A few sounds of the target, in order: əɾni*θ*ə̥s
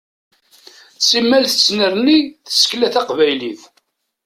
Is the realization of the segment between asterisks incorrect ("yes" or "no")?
no